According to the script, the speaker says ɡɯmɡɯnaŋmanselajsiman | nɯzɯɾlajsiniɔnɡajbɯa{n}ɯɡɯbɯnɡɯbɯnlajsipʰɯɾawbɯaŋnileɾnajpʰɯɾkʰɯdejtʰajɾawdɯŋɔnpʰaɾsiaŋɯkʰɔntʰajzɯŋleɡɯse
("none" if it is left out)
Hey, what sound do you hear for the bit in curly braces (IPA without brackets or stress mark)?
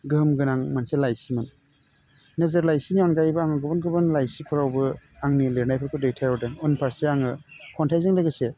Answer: ŋ